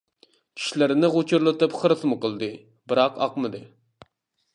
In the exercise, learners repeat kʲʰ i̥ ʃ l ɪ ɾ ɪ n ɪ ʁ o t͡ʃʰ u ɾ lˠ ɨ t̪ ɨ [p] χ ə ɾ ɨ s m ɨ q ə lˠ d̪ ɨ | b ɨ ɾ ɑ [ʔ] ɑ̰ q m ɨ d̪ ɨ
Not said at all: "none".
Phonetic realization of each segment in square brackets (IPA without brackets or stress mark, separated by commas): p, q